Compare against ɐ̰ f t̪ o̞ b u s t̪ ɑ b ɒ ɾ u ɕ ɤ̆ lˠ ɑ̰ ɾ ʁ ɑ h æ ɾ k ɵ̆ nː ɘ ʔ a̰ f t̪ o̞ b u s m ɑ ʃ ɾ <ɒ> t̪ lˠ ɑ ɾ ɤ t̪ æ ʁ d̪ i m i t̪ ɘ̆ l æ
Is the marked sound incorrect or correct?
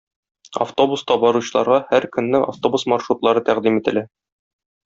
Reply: incorrect